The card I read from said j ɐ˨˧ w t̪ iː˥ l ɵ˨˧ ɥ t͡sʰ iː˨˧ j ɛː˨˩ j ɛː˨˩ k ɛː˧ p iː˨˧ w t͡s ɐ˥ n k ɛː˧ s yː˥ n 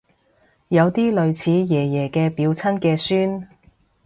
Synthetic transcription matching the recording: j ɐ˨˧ w t̪ iː˥ l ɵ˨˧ ɥ t͡sʰ iː˨˧ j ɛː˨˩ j ɛː˨˩ k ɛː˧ p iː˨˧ w t͡sʰ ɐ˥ n k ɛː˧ s yː˥ n